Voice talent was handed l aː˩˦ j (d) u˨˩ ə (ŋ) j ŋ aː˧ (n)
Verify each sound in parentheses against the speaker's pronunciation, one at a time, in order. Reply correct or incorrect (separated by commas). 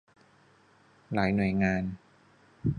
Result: incorrect, incorrect, correct